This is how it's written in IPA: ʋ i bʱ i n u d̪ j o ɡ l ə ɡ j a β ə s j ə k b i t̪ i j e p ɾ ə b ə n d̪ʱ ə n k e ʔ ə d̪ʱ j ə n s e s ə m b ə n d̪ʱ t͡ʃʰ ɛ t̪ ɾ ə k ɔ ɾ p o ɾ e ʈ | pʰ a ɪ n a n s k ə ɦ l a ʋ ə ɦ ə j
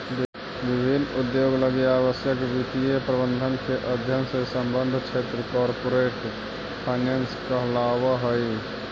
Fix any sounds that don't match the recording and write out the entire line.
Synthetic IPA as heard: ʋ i bʱ i n u d̪ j o ɡ l ə ɡ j a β ə s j ə k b i t̪ i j e p ɾ ə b ə n d̪ʱ ə n k e ʔ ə d̪ʱ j ə n s e s ə m b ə n d̪ʱ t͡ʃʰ e t̪ ɾ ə k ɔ ɾ p o ɾ e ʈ | pʰ a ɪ n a n s k ə ɦ l a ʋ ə ɦ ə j